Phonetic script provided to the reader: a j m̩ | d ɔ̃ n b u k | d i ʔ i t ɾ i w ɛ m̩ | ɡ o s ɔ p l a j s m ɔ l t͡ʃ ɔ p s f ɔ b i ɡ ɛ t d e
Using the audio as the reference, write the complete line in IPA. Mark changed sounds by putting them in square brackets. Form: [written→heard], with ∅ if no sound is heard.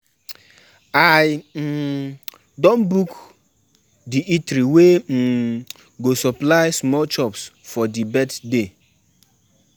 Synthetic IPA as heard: a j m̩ | d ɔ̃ n b u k | d i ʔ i t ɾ i w [ɛ→e] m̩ | ɡ o s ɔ p l a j s m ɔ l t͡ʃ ɔ p s f ɔ [b→d] i [ɡ→b] ɛ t d e